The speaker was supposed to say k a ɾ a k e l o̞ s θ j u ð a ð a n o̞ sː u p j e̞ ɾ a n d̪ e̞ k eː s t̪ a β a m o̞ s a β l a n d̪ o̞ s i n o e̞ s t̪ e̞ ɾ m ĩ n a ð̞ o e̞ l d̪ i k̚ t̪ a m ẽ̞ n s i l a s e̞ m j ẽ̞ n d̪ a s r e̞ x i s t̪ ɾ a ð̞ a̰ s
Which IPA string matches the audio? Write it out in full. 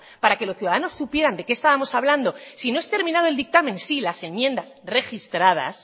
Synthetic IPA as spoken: p a ɾ a k e l o̞ s θ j u ð a ð a n o̞ sː u p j e̞ ɾ a n d̪ e̞ k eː s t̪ a β a m o̞ s a β l a n d̪ o̞ s i n o e̞ s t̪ e̞ ɾ m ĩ n a ð̞ o e̞ l d̪ i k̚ t̪ a m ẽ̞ n s i l a s e̞ m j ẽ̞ n d̪ a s r e̞ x i s t̪ ɾ a ð̞ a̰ s